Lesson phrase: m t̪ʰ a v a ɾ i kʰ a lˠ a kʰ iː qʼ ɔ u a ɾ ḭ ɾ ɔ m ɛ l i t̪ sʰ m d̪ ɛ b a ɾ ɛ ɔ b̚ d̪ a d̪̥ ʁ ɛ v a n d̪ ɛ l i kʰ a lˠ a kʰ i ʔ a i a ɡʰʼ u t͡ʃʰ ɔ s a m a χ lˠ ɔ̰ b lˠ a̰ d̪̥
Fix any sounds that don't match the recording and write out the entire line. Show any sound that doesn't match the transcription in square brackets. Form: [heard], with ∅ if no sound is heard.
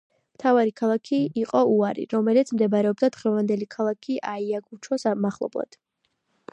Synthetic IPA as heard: m t̪ʰ a v a ɾ i kʰ a lˠ a kʰ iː qʼ ɔ u a ɾ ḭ ɾ ɔ m ɛ l i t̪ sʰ m d̪ ɛ b a ɾ ɛ ɔ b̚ d̪ a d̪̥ ʁ ɛ v a n d̪ ɛ l i kʰ a lˠ a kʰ i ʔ a i a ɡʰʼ u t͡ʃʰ ɔ s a m a χ lˠ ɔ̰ b lˠ a̰ d̪̥

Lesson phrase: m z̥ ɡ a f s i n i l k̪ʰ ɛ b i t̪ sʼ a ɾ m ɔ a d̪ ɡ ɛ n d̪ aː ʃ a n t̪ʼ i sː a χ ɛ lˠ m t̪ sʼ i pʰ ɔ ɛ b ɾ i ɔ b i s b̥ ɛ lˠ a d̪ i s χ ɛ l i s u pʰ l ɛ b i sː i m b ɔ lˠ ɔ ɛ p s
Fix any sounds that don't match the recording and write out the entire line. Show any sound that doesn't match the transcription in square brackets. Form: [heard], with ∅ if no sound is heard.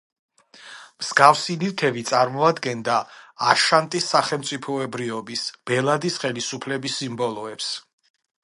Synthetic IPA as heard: m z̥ ɡ a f s i n i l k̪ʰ ɛ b i t̪ sʼ a ɾ m ɔ a d̪ ɡ ɛ n d̪ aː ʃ a n t̪ʼ i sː a χ ɛ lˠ m t̪ sʼ i pʰ ɔ ɛ b ɾ i ɔ b i s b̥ ɛ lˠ a d̪ i s χ ɛ l i s u pʰ l ɛ b i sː i m b ɔ lˠ ɔ ɛ p s

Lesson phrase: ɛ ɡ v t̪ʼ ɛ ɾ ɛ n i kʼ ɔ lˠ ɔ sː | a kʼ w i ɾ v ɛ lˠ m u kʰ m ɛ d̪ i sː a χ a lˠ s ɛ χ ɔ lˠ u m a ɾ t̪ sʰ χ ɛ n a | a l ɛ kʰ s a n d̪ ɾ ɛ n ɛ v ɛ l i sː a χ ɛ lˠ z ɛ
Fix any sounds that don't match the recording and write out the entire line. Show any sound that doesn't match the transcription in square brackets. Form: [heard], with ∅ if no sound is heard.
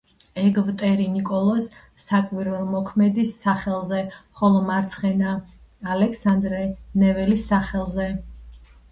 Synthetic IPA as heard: ɛ ɡ v t̪ʼ ɛ ɾ [i] n i kʼ ɔ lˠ ɔ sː | a kʼ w i ɾ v ɛ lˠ m [ɔ] kʰ m ɛ d̪ i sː a χ [ɛ] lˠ [z] ɛ χ ɔ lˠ [ɔ] m a ɾ t̪ sʰ χ ɛ n a | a l ɛ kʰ s a n d̪ ɾ ɛ n ɛ v ɛ l i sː a χ ɛ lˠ z ɛ

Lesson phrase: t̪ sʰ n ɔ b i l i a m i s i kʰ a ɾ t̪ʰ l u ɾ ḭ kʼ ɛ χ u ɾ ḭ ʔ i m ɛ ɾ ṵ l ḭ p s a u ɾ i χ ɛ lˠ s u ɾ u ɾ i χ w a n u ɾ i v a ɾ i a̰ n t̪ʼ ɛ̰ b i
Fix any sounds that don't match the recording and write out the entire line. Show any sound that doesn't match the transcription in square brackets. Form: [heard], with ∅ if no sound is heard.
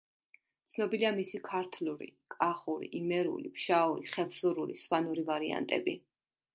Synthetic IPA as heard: t̪ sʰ n ɔ b i l i a m i s i kʰ a ɾ t̪ʰ l u ɾ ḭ kʼ [a] χ u ɾ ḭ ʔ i m ɛ ɾ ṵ l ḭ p [ʃ] a u ɾ i χ ɛ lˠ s u ɾ u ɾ i [s] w a n u ɾ i v a ɾ i a̰ n t̪ʼ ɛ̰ b i

